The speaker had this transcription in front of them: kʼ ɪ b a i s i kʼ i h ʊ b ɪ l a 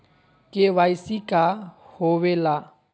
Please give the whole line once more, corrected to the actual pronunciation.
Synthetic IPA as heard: kʼ ɪ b a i s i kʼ a h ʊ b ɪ l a